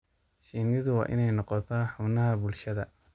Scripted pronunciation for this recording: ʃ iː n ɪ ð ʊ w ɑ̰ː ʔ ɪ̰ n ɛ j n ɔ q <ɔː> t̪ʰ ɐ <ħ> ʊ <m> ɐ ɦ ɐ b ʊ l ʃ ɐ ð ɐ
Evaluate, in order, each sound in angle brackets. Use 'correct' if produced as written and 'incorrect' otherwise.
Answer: incorrect, correct, incorrect

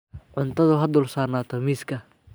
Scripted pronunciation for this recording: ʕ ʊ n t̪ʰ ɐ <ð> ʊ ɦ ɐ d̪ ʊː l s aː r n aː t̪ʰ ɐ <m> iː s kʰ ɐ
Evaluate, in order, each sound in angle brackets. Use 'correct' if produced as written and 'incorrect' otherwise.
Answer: correct, correct

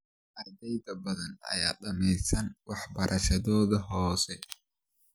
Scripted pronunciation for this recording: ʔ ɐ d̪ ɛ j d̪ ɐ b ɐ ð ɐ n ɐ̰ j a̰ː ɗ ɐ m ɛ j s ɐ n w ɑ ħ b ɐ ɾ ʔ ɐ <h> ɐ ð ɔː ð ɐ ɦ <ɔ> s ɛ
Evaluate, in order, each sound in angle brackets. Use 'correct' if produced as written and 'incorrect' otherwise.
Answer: incorrect, incorrect

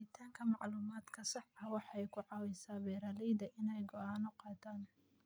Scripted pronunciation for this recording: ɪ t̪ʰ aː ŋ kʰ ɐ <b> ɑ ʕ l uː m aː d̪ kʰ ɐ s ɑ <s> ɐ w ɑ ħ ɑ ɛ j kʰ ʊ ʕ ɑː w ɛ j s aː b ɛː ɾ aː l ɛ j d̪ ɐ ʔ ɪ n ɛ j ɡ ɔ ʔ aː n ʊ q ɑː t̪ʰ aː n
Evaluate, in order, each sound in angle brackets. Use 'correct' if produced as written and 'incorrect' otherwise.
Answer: incorrect, incorrect

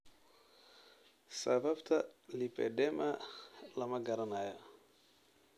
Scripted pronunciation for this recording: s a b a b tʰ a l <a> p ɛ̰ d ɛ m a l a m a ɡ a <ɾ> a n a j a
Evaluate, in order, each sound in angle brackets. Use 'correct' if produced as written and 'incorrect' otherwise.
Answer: incorrect, correct

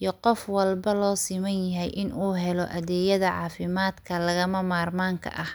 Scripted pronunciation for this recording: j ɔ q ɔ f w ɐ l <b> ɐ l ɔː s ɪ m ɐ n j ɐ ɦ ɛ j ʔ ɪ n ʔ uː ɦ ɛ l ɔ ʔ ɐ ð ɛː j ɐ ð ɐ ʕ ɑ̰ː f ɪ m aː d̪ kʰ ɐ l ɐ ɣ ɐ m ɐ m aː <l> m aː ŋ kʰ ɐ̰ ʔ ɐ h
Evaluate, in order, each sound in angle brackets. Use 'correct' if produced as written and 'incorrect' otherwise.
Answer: correct, incorrect

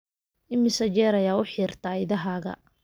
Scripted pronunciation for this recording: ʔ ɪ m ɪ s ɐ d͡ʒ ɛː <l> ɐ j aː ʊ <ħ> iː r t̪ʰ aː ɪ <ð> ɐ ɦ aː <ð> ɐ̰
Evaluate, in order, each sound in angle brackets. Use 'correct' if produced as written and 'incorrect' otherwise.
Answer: incorrect, correct, correct, incorrect

